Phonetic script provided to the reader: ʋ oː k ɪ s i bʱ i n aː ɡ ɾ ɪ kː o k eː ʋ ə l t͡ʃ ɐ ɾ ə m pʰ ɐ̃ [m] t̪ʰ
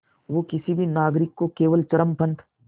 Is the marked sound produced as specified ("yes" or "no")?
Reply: no